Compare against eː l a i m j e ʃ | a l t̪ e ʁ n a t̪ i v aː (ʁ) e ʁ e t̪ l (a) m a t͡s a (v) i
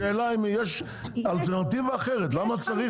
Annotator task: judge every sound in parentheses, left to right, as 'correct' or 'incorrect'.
incorrect: χ, correct, incorrect: ʁ

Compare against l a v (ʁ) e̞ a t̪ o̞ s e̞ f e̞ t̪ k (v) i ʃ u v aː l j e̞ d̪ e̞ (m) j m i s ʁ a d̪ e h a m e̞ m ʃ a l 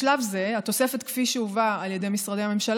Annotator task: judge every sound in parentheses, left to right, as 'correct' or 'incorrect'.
incorrect: z, incorrect: f, incorrect: none

